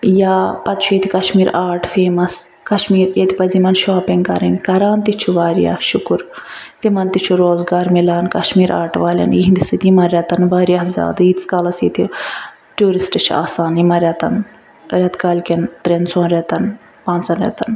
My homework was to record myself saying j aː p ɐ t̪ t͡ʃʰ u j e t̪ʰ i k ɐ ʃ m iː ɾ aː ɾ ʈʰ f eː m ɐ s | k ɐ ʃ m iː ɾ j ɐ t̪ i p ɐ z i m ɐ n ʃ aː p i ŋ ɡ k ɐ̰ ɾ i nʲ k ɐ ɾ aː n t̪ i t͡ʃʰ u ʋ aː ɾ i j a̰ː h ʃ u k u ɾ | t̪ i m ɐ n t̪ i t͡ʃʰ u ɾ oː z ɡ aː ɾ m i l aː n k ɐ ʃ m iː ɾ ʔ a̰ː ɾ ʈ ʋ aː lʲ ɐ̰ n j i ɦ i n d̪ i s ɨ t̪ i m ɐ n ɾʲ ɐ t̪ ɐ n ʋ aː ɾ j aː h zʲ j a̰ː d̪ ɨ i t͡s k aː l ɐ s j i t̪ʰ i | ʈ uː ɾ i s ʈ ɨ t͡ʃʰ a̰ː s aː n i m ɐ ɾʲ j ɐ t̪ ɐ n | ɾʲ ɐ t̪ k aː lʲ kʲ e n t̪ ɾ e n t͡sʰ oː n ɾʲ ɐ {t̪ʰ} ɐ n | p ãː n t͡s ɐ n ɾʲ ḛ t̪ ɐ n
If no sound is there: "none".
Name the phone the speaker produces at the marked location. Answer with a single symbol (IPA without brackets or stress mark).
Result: t̪